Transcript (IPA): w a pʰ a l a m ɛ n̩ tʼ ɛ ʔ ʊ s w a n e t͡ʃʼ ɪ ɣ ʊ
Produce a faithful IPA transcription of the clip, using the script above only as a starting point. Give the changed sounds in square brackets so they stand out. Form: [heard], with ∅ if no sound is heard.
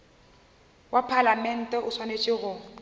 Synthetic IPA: w a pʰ a l a m ɛ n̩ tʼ ɛ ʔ ʊ s w a n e t͡ʃʼ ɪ ɣ ʊ